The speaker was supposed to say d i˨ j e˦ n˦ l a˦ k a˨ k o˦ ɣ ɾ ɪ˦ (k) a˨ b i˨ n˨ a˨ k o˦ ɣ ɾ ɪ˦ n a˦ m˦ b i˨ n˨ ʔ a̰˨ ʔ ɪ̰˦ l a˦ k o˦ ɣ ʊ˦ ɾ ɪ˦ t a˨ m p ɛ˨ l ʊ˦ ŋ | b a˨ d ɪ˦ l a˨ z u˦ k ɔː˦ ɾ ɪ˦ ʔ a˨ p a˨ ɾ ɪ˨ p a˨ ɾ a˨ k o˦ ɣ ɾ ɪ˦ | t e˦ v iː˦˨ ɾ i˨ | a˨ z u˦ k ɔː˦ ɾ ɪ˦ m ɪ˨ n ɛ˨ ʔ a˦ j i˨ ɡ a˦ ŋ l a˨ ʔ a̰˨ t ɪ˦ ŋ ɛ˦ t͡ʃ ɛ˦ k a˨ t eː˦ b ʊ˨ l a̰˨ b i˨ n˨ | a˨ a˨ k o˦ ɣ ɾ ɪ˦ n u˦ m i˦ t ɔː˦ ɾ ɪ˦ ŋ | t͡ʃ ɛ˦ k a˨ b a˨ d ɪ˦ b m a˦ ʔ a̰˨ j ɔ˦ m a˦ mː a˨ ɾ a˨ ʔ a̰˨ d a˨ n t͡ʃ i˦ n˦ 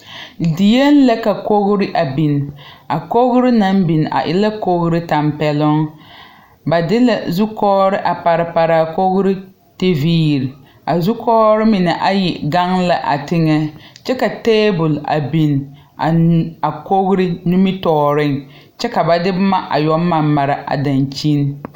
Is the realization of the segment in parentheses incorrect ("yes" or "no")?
yes